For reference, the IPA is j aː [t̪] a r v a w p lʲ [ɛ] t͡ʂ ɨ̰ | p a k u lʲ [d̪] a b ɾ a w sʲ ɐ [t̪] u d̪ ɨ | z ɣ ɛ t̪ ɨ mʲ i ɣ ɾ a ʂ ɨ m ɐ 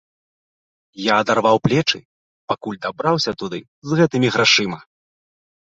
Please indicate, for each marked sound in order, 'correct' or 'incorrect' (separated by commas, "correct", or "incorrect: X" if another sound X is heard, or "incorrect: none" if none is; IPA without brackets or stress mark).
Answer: incorrect: d̪, correct, correct, correct